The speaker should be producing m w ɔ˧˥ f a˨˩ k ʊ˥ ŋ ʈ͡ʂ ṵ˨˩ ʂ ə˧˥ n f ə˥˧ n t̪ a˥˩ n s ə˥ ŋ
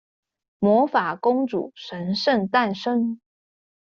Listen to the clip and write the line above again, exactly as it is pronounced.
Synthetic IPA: m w ɔ˧˥ f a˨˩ k ʊ˥ ŋ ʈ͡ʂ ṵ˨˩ ʂ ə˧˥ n ʂ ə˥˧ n t̪ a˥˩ n ʂ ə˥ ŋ